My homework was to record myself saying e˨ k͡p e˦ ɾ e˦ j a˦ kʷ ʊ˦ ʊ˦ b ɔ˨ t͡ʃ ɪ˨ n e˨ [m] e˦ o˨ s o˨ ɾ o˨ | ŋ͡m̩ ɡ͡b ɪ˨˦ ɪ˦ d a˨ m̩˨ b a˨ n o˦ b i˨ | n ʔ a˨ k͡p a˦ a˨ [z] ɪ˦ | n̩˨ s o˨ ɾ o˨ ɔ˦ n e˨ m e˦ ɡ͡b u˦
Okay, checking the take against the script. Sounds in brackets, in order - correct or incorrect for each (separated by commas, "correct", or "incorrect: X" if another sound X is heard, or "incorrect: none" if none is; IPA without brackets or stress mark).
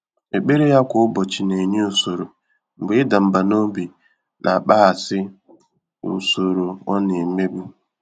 incorrect: ɲ, incorrect: s